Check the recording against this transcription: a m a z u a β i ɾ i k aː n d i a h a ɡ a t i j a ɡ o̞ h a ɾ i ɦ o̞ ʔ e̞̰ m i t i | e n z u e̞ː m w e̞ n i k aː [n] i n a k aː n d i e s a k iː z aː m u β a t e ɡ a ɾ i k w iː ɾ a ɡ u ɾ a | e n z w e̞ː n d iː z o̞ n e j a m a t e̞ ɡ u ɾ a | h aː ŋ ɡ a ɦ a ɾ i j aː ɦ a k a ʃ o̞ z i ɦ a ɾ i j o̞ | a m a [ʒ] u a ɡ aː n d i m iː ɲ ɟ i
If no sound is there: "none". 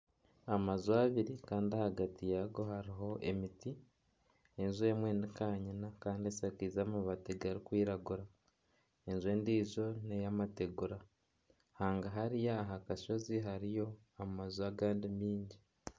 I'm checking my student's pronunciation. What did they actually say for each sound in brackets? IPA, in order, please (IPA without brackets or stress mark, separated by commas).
ɲ, z